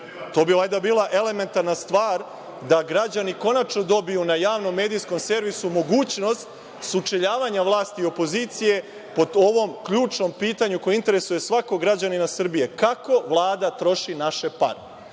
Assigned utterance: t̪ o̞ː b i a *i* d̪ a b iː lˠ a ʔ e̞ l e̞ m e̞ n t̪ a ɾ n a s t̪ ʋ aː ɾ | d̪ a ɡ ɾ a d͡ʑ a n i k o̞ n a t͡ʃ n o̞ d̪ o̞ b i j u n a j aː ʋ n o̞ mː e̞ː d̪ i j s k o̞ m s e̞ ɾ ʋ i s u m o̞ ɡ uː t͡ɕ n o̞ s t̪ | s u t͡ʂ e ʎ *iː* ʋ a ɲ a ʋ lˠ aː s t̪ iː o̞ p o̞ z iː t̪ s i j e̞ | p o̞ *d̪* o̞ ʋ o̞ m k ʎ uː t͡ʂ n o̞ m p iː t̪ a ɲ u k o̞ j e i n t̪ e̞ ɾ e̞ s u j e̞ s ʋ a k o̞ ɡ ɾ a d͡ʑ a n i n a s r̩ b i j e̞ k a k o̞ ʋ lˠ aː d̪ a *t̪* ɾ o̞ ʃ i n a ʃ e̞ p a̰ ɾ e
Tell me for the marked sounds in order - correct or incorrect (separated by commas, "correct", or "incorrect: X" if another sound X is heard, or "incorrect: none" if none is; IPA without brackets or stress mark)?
incorrect: j, incorrect: aː, correct, correct